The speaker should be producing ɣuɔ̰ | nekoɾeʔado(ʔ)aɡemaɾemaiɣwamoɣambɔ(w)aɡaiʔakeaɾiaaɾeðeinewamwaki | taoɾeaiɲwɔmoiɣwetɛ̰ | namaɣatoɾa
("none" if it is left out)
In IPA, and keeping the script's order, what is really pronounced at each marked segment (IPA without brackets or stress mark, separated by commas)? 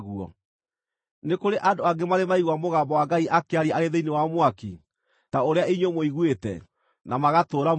none, w